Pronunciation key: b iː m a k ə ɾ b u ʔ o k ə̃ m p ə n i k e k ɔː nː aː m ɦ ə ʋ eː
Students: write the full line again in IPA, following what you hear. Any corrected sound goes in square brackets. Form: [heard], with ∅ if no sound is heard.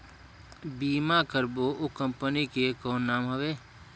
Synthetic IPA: b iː m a k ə ɾ b [o] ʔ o k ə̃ m p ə n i k e k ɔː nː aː m ɦ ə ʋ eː